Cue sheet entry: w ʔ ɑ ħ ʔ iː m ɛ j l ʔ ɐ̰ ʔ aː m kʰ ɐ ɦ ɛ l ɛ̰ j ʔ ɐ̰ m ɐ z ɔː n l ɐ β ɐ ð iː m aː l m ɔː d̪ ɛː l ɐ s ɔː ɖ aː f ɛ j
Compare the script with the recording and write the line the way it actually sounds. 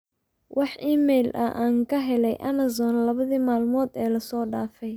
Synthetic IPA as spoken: w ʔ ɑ ħ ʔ iː m ɛ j l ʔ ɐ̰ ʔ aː ŋ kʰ ɐ ɦ ɛ l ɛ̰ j ʔ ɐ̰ m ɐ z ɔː n l ɐ β ɐ ð iː m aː l m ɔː d̪ ɛː l ɐ s ɔː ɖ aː f ɛ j